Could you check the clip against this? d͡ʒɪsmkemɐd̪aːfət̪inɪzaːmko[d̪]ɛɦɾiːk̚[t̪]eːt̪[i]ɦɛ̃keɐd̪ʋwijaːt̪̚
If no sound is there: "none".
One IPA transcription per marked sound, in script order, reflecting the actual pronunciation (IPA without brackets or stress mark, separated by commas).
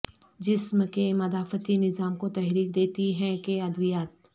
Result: t̪, d̪, i